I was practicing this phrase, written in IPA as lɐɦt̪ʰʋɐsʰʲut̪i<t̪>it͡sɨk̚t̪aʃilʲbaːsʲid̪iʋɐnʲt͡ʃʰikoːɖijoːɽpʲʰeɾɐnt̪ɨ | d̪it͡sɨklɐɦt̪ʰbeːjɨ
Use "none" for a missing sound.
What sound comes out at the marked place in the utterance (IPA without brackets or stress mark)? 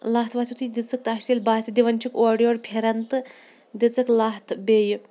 d̪